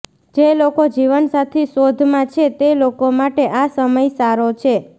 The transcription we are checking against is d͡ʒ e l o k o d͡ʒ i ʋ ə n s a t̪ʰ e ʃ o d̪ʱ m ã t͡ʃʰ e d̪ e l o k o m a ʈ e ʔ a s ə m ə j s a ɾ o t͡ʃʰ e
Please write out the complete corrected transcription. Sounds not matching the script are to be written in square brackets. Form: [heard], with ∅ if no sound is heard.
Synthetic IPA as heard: d͡ʒ e l o k o d͡ʒ i ʋ ə n s a t̪ʰ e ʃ o d̪ʱ m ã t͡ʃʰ e [t̪] e l o k o m a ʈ e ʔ a s ə m ə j s a ɾ o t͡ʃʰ e